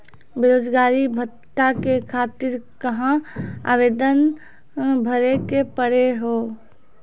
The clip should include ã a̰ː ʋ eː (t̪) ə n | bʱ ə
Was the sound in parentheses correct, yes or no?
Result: no